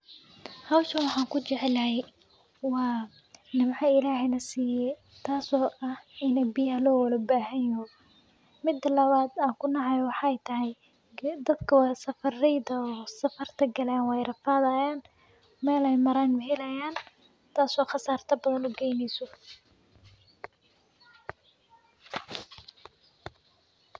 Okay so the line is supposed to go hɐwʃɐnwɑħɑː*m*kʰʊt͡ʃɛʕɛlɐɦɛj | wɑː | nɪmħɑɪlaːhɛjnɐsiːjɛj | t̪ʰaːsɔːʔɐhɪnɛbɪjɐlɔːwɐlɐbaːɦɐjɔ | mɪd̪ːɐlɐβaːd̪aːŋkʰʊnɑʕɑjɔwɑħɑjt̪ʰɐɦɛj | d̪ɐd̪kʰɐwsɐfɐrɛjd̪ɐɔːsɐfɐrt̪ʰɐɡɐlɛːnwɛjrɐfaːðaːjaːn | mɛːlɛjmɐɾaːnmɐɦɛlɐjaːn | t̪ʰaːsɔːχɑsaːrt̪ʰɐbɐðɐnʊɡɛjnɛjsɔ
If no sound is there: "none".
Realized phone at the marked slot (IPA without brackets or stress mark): ŋ